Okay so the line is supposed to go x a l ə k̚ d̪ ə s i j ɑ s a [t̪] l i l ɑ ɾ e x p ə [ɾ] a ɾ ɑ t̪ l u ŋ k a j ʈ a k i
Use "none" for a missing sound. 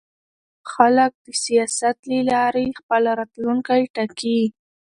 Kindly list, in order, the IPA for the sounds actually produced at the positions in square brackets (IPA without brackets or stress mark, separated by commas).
t̪, l